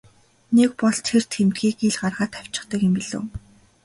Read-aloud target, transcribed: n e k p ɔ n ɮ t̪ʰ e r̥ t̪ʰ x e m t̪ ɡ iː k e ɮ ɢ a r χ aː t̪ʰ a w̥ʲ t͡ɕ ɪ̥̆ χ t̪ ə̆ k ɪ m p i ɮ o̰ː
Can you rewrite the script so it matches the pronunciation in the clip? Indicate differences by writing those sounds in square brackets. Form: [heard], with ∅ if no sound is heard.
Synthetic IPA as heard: n e k p ɔ [∅] ɮ t̪ʰ e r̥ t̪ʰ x e m t̪ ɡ iː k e ɮ ɢ a r [ʁ] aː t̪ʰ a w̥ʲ t͡ɕ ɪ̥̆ χ t̪ ə̆ k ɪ m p i ɮ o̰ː

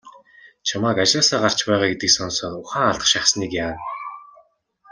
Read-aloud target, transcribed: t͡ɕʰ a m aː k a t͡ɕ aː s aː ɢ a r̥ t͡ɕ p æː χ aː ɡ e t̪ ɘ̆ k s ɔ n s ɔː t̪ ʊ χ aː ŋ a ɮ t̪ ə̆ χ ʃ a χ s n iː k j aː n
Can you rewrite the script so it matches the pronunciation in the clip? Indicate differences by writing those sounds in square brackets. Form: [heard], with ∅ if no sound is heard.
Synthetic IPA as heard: t͡ɕʰ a m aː k a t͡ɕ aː s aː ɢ a r̥ t͡ɕ p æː [ʁ] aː ɡ e t̪ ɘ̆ k s ɔ n s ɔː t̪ ʊ χ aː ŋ a ɮ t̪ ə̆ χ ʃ a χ s n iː k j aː n

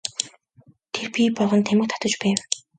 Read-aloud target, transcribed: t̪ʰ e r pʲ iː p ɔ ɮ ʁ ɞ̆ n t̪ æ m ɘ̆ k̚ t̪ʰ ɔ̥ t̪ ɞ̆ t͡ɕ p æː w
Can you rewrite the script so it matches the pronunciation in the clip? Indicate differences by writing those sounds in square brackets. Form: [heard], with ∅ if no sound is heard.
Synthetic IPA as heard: t̪ʰ e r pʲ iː p ɔ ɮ ʁ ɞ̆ n [t̪ʰ] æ m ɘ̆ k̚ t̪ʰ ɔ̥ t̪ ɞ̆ t͡ɕ p æː w

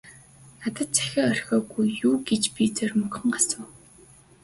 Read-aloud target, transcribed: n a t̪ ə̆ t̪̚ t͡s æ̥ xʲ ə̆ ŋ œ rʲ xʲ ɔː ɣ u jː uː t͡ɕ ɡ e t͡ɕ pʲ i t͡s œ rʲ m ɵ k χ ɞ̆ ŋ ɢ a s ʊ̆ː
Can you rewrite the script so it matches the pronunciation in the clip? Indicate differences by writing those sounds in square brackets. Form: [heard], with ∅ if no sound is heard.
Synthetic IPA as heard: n a t̪ ə̆ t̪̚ t͡s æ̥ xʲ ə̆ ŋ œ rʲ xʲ ɔː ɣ u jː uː [∅] ɡ e t͡ɕ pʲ i t͡s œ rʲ m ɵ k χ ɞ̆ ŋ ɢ a s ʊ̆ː

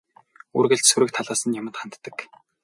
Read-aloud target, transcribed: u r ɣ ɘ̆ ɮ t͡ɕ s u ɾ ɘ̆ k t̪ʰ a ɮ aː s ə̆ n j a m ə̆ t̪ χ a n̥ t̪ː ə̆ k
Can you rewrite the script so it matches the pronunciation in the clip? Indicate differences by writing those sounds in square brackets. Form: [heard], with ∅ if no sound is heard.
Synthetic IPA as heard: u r ɣ ɘ̆ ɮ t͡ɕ s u ɾ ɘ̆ k t̪ʰ a ɮ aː s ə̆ n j a m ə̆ t̪ χ a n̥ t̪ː ə̆ k

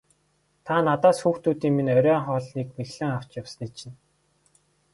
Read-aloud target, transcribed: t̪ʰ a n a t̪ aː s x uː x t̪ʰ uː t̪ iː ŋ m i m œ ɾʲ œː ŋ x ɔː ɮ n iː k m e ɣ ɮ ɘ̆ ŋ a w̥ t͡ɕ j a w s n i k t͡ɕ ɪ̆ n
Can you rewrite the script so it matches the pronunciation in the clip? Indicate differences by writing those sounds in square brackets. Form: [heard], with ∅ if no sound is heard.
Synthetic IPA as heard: t̪ʰ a n a t̪ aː s x uː x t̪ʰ uː t̪ iː ŋ m i [n] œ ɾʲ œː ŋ [χ] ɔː ɮ n iː k m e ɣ ɮ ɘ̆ ŋ a w̥ t͡ɕ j a w s n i [∅] t͡ɕ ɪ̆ n

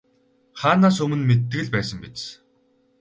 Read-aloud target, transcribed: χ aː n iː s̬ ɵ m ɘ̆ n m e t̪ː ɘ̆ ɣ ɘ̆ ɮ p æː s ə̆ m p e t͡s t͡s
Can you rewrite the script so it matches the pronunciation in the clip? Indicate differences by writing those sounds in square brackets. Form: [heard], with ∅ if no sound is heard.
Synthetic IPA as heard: χ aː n [aː] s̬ ɵ m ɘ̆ n m e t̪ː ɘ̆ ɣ ɘ̆ ɮ p æː s ə̆ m p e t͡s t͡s

